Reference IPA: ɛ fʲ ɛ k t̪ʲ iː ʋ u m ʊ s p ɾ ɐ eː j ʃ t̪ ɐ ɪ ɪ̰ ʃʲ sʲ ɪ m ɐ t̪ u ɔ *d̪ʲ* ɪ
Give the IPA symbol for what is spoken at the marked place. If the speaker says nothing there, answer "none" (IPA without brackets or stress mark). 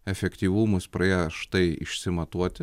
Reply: t̪ʲ